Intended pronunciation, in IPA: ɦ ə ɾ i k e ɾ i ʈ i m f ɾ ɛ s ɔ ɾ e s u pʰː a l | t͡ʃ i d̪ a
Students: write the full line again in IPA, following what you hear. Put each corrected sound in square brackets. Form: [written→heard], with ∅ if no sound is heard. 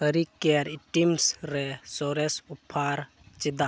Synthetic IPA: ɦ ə ɾ i k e ɾ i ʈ i m [f→s] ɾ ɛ s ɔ ɾ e s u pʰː a [l→ɾ] | t͡ʃ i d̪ a